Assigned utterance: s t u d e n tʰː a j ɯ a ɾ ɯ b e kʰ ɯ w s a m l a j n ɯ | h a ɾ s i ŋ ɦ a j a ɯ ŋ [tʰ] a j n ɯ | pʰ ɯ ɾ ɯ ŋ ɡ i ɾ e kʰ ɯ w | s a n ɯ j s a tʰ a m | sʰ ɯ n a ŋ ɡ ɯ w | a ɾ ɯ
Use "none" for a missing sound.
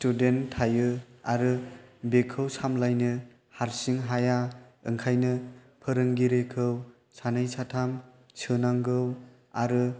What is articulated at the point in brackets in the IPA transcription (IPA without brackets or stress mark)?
kʰ